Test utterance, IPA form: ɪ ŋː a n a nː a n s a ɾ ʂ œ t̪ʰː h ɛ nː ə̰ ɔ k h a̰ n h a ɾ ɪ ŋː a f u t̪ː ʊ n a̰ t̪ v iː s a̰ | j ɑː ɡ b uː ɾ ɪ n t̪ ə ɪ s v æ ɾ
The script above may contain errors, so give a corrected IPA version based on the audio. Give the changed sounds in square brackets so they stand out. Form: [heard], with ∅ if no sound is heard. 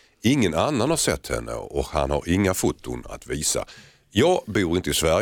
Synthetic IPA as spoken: ɪ ŋː [ə] n a nː a n [h] a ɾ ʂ [ɛ] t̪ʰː h ɛ nː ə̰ ɔ k h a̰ n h a ɾ ɪ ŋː a f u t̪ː ʊ n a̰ t̪ v iː s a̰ | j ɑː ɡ b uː ɾ ɪ n t̪ ə ɪ s v æ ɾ